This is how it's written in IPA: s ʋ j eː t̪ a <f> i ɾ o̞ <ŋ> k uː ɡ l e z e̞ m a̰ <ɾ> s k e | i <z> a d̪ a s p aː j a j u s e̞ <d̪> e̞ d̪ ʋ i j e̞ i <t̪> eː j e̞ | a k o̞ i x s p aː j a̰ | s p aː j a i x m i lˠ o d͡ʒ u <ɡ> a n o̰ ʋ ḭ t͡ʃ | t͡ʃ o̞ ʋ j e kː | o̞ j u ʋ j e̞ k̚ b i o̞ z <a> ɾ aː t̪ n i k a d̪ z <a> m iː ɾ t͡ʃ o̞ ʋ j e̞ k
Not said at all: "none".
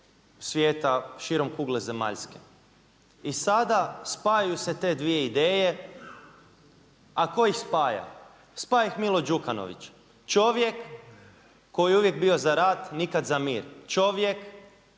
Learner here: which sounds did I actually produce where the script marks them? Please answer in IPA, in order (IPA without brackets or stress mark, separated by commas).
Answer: ʃ, m, ʎ, s, t̪, d̪, k, a, a